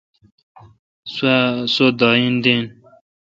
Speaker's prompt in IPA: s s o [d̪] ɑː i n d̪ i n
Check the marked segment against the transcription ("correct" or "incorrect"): correct